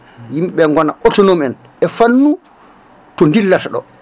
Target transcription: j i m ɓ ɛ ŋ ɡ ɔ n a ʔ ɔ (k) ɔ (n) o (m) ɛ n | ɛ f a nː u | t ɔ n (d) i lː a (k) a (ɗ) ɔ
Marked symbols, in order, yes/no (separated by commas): no, yes, yes, yes, no, yes